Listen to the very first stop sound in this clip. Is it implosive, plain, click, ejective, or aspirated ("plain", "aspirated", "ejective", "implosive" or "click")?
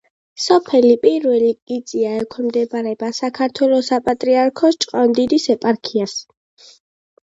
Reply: aspirated